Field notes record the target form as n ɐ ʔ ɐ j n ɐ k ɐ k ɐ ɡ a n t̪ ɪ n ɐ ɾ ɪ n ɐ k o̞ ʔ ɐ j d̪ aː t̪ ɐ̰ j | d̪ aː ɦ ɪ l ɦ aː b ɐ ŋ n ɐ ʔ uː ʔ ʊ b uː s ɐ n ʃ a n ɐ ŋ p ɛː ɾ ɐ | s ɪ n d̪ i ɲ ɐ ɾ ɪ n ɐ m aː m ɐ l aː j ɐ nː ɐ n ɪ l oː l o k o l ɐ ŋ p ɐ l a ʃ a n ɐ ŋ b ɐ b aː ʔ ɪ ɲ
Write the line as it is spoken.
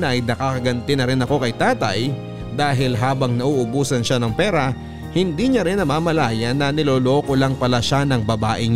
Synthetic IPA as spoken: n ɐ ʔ ɐ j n ɐ k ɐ k ɐ ɡ ɐ n t̪ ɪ n ɐ ɾ ɪ n ɐ k o̞ k ɐ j t̪ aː t̪ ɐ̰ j | d̪ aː ɦ ɪ l ɦ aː b ɐ ŋ n ɐ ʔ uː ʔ ʊ b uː s ɐ n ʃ a n ɐ ŋ p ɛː ɾ ɐ | h ɪ n d̪ i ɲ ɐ ɾ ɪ n ɐ m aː m ɐ l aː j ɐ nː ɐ n ɪ l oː l o k o l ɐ ŋ p ɐ l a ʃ a n ɐ ŋ b ɐ b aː ʔ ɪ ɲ